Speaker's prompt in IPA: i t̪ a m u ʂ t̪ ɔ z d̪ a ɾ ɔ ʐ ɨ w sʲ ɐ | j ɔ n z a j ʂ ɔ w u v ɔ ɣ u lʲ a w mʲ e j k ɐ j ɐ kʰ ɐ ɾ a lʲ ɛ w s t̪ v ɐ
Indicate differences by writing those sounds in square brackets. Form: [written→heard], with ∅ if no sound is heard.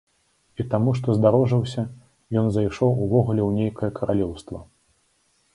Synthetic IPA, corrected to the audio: i t̪ a m u ʂ t̪ ɔ z d̪ a ɾ ɔ ʐ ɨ w sʲ ɐ | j ɔ n z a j ʂ ɔ w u v ɔ ɣ u lʲ [a→ɛ] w [mʲ→nʲ] e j k ɐ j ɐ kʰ ɐ ɾ a lʲ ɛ w s t̪ v ɐ